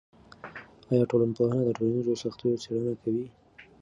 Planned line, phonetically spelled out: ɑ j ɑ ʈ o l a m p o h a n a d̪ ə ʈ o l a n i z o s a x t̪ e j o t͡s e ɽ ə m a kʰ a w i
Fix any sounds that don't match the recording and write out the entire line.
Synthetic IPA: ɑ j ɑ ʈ o l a n p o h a n a d̪ ə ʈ o l a n i z o s a x t̪ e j o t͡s e ɽ ə n a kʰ a w i